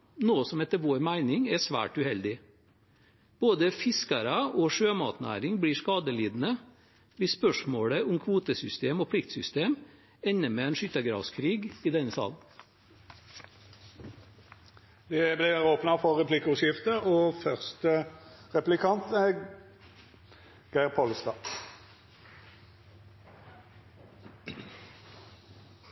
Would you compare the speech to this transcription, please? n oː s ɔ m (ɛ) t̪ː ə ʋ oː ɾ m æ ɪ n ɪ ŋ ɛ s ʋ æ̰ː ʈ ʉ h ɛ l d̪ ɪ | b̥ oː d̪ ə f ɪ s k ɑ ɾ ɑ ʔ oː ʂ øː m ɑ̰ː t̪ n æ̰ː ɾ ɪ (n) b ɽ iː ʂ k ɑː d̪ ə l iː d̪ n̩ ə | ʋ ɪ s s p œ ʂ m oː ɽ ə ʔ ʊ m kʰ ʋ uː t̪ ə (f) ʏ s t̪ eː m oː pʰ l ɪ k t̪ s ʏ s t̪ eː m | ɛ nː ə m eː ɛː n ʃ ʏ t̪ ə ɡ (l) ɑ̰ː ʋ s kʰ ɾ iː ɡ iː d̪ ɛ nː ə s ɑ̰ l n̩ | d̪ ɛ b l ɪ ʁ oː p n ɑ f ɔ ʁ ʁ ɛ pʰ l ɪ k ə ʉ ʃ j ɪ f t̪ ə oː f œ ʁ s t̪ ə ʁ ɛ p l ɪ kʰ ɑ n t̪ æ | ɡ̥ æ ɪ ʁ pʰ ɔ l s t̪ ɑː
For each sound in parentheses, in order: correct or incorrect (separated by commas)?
correct, incorrect, incorrect, incorrect